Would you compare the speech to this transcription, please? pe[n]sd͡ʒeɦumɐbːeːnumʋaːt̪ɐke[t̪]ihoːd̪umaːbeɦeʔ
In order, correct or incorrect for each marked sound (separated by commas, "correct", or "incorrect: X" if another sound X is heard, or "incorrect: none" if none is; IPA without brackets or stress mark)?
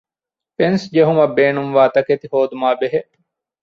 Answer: correct, correct